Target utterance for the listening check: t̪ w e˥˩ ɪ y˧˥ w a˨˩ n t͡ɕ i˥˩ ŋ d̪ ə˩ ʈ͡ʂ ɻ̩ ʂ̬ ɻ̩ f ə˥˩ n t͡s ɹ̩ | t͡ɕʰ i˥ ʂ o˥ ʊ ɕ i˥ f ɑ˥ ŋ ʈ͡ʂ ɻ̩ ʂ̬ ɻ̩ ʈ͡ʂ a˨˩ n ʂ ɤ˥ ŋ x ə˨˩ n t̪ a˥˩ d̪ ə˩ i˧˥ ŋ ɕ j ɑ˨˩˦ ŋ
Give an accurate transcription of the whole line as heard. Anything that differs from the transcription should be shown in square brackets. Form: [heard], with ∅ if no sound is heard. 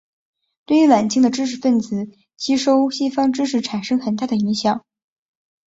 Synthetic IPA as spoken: t̪ w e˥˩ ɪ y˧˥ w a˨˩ n t͡ɕ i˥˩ ŋ d̪ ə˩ ʈ͡ʂ ɻ̩ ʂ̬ ɻ̩ f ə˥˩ n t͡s ɹ̩ | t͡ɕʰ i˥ ʂ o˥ ʊ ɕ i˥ f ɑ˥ ŋ ʈ͡ʂ ɻ̩ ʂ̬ ɻ̩ [ʈ͡ʂʰ] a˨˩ n ʂ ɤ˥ ŋ x ə˨˩ n t̪ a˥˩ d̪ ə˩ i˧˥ ŋ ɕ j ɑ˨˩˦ ŋ